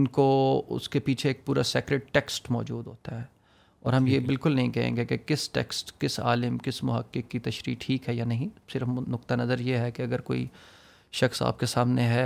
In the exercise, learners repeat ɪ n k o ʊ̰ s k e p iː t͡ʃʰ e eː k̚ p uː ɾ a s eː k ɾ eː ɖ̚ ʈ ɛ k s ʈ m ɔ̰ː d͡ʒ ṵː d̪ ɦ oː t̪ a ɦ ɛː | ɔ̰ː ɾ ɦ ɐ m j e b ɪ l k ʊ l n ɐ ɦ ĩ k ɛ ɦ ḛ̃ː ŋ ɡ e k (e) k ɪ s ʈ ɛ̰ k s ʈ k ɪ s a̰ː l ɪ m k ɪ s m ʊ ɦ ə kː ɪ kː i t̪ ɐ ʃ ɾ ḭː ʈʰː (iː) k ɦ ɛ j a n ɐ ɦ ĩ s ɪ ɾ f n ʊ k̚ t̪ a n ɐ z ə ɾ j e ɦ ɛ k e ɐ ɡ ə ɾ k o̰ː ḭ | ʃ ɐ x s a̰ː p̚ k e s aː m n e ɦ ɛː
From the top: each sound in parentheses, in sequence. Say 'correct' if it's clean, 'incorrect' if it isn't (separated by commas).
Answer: correct, correct